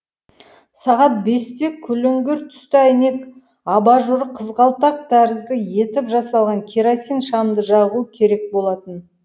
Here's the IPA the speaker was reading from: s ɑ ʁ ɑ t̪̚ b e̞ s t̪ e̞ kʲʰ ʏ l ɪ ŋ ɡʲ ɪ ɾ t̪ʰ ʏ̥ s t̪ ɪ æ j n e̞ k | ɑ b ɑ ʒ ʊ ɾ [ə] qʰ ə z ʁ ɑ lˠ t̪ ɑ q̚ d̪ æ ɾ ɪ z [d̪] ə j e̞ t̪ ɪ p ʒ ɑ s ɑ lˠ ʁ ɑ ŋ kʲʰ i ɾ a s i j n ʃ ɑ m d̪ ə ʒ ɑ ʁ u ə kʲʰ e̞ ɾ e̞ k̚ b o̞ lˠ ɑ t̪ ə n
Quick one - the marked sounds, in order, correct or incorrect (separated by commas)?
correct, correct